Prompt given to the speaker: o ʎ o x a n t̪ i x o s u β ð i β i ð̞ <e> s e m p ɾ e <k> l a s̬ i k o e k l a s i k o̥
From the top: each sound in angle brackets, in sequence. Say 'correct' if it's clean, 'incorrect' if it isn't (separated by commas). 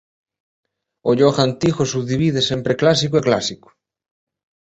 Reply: correct, correct